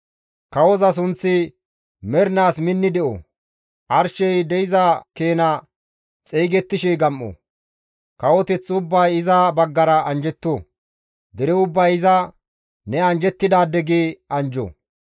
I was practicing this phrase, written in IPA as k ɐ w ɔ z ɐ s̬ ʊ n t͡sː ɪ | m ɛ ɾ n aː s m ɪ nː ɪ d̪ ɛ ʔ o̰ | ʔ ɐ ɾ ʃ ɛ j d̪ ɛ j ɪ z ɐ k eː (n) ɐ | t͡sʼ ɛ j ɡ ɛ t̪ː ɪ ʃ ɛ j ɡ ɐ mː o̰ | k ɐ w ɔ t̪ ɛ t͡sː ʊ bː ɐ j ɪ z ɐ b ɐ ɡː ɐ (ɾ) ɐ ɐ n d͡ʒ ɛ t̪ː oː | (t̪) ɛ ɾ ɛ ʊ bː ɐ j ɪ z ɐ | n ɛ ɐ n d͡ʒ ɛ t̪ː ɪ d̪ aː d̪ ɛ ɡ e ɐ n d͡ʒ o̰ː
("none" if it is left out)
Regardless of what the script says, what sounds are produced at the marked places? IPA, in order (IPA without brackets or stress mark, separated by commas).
n, ɾ, d̪